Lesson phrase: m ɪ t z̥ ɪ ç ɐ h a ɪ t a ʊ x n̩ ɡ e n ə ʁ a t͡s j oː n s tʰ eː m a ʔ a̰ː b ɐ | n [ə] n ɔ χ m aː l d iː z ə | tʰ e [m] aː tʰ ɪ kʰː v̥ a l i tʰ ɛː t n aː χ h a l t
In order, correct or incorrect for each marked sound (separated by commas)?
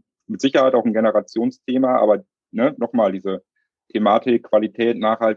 correct, correct